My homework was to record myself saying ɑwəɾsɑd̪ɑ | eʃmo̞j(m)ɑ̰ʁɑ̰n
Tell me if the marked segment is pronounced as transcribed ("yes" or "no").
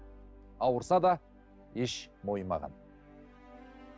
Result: yes